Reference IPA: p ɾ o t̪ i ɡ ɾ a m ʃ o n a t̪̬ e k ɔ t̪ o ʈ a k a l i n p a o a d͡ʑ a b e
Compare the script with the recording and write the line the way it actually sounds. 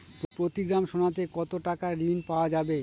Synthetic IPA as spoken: p ɾ o t̪ i ɡ ɾ a m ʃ o n a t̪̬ e k ɔ t̪ o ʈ a k a ɾ i n p a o a d͡ʑ a b e